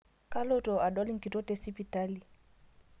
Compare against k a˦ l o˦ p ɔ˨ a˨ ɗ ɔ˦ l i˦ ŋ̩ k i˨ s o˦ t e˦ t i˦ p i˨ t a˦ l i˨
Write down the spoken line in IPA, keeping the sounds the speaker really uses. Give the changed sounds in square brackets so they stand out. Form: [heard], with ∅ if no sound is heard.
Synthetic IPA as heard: k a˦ l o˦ [t] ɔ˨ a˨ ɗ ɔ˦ l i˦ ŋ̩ k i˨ [t] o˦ t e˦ [s] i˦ p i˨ t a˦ l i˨